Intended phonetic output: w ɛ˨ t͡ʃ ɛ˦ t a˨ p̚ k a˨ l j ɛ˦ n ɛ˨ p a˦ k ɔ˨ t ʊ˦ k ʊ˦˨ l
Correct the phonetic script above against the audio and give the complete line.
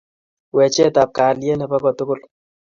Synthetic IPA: w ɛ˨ t͡ʃ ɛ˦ t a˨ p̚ k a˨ l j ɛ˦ n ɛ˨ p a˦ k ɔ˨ t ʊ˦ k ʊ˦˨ l